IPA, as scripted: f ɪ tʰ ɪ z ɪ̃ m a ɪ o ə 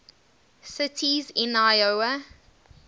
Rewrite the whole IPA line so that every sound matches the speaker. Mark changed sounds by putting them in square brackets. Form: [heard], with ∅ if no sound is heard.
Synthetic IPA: [s] ɪ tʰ [i] z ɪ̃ [n] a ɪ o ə